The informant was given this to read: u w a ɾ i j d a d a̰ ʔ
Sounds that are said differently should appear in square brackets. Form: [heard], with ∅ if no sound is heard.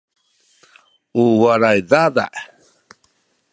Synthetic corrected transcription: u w a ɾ [a] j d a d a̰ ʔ